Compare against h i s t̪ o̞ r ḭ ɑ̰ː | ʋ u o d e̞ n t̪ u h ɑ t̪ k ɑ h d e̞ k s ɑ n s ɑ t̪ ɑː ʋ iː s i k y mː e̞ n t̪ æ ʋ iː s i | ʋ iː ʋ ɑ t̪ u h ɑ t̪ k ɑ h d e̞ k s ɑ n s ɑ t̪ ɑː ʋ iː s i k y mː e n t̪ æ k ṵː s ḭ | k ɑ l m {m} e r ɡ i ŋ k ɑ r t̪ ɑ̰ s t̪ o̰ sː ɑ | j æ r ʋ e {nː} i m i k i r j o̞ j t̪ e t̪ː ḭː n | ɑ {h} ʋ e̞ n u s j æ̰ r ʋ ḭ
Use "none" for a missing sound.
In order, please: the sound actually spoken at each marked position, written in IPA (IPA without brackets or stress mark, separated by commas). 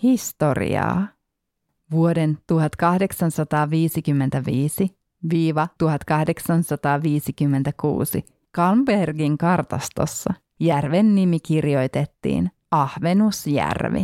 b, nː, h